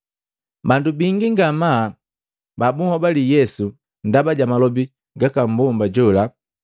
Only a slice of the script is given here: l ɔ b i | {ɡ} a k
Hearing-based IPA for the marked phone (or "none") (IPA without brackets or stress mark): ɡ